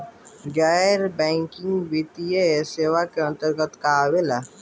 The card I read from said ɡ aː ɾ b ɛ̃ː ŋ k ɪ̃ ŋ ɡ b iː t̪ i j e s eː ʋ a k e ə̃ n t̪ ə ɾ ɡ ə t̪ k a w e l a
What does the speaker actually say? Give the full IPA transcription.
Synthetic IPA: ɡ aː ɾ b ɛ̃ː ŋ k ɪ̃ ŋ ɡ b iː t̪ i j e s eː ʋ a k e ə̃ n t̪ ə ɾ ɡ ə t̪ k a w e l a